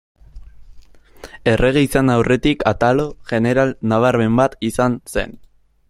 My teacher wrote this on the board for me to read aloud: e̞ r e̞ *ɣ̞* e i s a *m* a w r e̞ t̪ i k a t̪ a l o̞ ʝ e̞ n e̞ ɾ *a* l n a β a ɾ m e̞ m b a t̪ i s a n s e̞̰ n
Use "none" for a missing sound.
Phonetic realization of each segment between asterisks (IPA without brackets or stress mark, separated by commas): ɣ̞, n, a